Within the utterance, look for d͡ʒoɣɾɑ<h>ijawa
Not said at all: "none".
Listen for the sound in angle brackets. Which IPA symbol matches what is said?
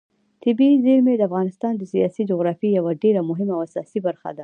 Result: f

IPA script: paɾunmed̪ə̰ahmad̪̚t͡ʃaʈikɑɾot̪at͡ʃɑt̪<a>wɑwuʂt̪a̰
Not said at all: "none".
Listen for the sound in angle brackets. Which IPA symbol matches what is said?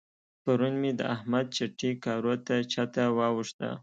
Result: a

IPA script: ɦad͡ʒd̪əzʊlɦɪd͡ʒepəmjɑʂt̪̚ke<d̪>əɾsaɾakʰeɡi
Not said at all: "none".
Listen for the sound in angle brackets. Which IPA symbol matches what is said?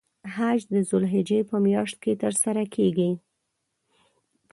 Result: t̪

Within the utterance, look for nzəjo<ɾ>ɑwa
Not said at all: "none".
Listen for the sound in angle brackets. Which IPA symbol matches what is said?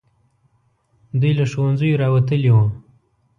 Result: ɾ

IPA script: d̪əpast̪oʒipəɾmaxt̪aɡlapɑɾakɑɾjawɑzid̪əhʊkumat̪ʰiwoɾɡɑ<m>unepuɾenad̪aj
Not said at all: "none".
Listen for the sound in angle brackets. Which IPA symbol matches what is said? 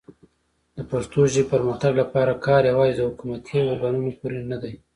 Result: n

